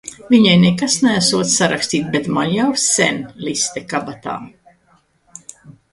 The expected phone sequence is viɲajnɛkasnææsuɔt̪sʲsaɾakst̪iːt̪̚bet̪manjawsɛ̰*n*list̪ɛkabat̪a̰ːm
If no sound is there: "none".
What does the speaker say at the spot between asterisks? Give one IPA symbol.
n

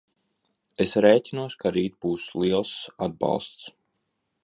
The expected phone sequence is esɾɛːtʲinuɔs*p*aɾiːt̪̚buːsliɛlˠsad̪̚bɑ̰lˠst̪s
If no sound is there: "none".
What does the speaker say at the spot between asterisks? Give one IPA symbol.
k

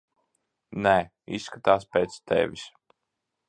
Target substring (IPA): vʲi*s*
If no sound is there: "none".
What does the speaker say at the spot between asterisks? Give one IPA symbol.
s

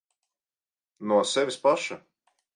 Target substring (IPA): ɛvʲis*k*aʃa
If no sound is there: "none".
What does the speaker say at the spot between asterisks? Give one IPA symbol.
p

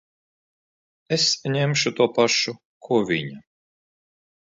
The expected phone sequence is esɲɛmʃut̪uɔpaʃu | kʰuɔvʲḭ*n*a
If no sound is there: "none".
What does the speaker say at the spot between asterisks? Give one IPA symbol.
ɲ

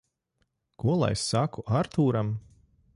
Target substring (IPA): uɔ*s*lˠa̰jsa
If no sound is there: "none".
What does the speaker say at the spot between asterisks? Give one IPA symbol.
none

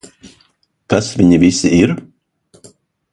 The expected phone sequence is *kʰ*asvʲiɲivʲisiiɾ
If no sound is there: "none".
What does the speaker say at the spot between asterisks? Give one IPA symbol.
k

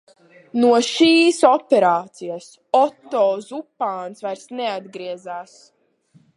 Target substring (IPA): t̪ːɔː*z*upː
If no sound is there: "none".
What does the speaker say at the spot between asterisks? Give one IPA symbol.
z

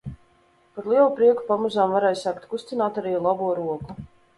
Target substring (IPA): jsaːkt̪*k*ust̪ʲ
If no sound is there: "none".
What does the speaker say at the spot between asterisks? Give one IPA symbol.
k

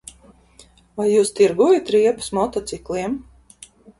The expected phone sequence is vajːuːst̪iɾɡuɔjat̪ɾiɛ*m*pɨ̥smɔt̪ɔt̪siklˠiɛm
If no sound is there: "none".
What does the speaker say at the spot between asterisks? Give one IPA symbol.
none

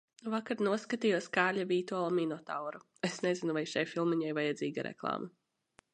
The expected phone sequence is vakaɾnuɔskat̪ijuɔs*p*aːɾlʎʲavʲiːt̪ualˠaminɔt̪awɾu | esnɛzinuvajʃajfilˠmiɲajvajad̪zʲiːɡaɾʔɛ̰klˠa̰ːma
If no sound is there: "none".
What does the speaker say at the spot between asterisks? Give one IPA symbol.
k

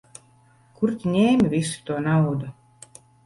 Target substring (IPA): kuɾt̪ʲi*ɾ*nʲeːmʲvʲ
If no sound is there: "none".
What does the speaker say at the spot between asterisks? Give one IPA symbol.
none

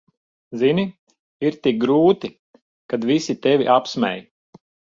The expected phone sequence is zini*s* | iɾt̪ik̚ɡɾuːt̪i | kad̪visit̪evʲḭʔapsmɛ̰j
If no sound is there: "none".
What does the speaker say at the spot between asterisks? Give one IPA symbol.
none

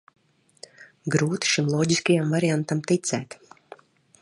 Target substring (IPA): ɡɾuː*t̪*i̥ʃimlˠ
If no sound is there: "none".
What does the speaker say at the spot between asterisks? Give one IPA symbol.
t̪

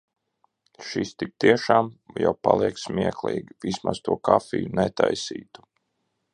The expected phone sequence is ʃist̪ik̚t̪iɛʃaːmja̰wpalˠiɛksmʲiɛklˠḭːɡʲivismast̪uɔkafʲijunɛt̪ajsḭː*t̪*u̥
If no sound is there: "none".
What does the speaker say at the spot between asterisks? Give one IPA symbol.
t̪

